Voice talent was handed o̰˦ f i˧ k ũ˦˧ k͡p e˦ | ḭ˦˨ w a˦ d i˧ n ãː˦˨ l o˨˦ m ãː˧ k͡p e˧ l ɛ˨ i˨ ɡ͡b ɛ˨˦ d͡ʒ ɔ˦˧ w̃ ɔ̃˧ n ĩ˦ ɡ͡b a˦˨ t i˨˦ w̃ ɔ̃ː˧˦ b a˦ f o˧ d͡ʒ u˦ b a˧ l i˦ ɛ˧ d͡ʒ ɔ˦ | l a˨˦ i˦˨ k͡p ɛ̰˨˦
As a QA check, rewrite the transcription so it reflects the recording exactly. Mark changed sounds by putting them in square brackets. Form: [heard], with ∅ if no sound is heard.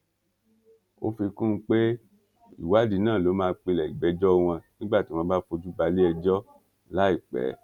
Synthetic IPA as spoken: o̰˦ f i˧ k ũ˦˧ k͡p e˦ | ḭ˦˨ w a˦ d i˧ n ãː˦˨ l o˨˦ m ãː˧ k͡p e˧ l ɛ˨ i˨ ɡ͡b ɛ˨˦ d͡ʒ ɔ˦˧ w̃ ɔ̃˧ n ĩ˦ ɡ͡b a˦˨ t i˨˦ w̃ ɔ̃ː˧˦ b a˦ f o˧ d͡ʒ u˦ b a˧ l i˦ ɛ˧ d͡ʒ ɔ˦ | l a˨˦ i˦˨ k͡p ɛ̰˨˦